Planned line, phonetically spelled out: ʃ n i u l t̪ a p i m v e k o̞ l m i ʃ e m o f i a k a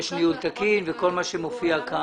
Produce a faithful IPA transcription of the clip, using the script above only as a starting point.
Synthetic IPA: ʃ n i u l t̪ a k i n v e k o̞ l m a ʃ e m o f i a k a